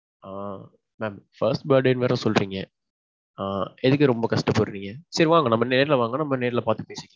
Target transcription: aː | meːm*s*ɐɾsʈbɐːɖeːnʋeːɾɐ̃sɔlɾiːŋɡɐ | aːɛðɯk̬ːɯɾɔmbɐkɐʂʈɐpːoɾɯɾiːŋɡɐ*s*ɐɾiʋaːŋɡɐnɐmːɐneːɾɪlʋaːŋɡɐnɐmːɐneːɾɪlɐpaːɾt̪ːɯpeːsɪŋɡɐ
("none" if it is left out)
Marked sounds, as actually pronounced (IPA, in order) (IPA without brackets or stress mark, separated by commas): f, s